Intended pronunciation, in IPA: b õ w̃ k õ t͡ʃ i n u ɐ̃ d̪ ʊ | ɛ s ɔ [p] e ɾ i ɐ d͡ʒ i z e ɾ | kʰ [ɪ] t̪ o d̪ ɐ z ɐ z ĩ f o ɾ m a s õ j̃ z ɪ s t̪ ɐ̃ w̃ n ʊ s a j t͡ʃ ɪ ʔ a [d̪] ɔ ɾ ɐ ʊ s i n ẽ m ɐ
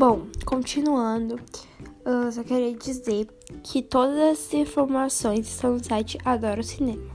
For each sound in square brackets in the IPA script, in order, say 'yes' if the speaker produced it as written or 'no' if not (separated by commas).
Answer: no, yes, yes